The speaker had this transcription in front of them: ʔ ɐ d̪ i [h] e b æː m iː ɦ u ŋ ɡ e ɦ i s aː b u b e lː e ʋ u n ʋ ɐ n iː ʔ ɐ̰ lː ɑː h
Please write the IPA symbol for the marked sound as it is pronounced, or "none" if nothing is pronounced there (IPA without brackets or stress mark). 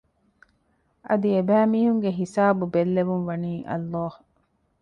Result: none